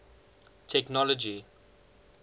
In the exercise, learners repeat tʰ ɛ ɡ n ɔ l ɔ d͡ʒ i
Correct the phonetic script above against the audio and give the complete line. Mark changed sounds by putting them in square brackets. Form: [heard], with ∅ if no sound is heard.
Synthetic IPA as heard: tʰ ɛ [k] n ɔ l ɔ d͡ʒ i